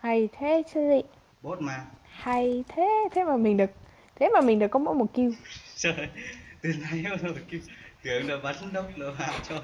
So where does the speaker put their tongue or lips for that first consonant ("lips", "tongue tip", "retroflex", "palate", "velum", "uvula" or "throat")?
throat